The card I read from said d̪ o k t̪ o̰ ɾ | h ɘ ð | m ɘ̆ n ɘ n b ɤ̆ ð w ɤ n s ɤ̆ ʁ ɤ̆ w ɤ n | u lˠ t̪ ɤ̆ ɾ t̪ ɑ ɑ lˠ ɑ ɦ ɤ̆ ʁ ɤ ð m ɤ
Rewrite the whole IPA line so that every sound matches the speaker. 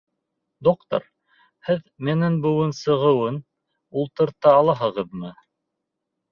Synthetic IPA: d̪ o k t̪ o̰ ɾ | h ɘ ð | m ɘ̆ n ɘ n b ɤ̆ w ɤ n s ɤ̆ ʁ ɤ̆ w ɤ n | u lˠ t̪ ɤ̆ ɾ t̪ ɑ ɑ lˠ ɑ ɦ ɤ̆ ʁ ɤ ð m ɤ